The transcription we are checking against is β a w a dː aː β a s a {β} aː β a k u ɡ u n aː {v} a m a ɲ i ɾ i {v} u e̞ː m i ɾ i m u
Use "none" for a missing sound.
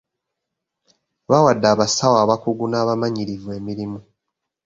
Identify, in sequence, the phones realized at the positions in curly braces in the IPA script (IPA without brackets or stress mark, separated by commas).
w, β, v